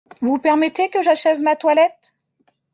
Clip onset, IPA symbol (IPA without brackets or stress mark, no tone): v